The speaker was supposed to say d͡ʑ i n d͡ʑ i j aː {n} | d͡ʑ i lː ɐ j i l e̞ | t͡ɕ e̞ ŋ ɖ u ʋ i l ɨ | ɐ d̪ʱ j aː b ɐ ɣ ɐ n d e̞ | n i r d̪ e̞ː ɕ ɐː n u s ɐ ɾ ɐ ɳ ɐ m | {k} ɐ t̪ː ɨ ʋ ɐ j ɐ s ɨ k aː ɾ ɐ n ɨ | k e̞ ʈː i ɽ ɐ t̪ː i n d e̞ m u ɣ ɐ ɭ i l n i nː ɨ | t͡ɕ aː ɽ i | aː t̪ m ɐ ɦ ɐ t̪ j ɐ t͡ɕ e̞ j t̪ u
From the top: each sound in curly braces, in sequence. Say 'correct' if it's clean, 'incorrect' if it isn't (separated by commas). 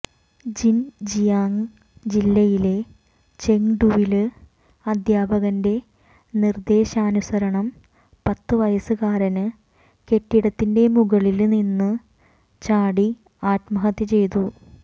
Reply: incorrect, incorrect